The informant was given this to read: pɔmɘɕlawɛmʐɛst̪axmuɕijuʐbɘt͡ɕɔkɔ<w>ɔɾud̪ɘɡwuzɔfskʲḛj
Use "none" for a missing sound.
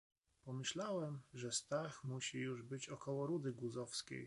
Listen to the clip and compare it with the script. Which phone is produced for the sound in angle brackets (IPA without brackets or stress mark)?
w